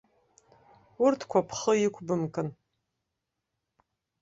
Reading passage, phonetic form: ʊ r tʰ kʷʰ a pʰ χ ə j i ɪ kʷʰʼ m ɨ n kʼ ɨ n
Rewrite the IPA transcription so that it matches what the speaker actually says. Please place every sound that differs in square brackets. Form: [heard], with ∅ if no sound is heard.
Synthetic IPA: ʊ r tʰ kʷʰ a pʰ χ ə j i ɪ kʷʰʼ [b] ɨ [m] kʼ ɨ n